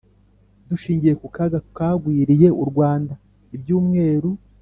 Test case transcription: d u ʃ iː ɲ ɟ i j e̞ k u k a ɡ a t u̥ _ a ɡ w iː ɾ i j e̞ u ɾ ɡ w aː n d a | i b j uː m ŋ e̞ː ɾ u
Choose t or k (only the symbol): k